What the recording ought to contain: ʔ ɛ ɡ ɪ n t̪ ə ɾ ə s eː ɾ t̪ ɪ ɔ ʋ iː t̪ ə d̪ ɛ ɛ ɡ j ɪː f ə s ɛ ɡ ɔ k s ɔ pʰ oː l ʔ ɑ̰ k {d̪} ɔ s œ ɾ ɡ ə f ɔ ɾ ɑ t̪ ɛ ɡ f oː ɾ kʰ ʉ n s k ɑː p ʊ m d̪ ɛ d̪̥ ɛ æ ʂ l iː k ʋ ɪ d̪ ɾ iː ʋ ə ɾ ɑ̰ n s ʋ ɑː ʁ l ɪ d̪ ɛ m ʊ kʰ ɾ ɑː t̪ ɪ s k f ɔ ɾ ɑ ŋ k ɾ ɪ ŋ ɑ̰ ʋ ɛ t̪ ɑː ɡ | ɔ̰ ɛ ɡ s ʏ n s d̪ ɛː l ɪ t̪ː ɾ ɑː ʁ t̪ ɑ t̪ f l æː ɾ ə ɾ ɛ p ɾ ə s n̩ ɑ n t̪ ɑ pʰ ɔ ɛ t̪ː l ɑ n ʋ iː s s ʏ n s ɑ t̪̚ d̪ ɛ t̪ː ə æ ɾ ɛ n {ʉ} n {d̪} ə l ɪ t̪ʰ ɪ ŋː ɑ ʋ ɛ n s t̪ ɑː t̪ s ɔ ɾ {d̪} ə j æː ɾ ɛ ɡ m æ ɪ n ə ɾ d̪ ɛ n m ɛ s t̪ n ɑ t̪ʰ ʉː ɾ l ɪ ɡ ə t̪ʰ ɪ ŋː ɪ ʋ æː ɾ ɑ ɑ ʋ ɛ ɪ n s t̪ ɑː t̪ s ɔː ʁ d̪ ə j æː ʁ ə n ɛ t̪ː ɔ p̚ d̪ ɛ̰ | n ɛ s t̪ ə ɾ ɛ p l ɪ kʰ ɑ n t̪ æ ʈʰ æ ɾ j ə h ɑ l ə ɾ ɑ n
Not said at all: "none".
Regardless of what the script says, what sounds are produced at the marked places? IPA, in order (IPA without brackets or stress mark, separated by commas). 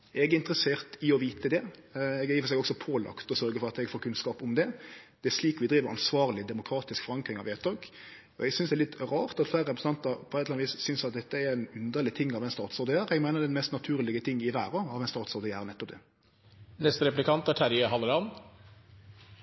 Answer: t̪, ʉ, d̪, d̪